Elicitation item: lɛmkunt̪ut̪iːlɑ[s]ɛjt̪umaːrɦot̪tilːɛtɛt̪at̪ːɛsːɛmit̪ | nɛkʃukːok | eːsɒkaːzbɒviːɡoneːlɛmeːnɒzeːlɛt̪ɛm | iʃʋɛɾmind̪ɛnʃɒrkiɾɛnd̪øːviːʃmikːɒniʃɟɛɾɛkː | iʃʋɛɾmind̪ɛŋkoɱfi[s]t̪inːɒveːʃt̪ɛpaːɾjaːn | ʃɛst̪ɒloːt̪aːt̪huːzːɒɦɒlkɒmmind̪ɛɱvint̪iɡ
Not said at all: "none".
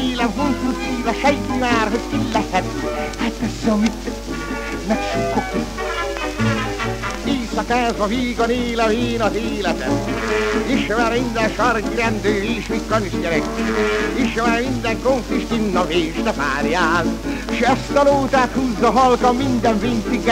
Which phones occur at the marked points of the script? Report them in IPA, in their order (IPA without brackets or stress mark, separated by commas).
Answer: ʃ, ʃ